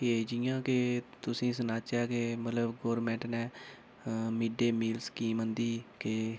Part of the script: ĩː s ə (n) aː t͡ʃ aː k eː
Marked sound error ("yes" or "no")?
no